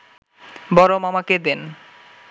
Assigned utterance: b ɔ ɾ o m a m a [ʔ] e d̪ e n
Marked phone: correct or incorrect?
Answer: incorrect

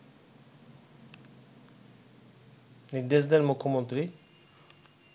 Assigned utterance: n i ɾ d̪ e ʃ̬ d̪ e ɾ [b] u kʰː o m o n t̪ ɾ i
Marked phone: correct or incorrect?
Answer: incorrect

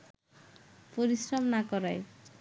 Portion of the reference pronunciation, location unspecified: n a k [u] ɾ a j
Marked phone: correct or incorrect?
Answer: incorrect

